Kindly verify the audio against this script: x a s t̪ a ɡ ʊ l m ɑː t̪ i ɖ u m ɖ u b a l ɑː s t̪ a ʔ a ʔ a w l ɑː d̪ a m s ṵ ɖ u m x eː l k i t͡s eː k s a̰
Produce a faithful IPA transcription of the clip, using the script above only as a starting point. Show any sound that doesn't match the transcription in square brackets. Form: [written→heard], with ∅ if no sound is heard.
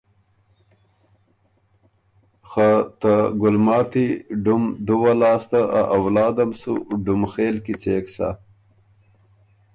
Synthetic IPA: x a [s→∅] t̪ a ɡ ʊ l m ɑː t̪ i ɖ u m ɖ u [b→w] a l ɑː s t̪ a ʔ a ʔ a w l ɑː d̪ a m s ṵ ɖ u m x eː l k i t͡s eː k s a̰